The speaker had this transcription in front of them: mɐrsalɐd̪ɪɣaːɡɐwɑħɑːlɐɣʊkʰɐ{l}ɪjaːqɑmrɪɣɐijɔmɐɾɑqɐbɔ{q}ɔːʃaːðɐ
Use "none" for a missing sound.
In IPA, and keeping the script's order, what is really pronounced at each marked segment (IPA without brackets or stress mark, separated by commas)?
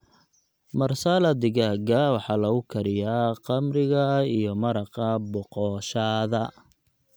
ɾ, q